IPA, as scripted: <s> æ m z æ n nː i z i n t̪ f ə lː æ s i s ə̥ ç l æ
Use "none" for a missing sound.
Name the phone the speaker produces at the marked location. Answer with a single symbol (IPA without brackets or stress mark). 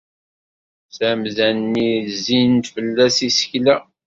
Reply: s